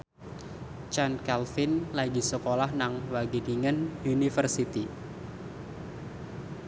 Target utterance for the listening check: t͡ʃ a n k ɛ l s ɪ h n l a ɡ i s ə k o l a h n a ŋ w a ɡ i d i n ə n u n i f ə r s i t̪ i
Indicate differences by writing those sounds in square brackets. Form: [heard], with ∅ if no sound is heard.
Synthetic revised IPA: t͡ʃ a n k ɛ l [f] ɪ [∅] n l a ɡ i s ə k o l a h n a ŋ w a ɡ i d i [ŋ] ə n u n i f ə r s i t̪ i